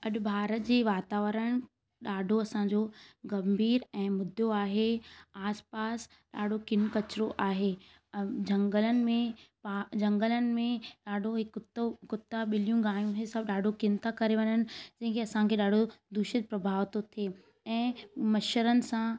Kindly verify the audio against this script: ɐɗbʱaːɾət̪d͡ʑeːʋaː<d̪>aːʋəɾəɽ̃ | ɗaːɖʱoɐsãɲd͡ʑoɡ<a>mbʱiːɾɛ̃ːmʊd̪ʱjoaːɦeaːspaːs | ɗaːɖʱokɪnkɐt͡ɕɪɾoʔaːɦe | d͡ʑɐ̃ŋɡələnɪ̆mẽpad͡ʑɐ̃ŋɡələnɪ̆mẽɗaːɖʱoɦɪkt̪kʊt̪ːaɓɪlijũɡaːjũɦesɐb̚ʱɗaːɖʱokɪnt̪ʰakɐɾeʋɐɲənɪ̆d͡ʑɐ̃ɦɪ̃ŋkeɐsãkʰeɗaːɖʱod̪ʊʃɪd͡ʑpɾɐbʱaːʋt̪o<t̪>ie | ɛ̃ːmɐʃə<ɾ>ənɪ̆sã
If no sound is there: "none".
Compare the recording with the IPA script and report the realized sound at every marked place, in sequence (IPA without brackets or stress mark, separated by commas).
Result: t̪, ɐ, t̪ʰ, ɾ